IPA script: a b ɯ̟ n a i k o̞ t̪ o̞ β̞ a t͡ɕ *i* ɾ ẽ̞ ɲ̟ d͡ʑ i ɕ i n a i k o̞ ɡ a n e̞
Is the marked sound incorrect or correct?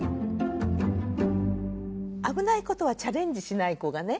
incorrect: a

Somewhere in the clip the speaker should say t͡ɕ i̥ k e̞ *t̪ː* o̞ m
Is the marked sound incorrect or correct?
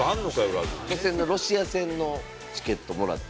correct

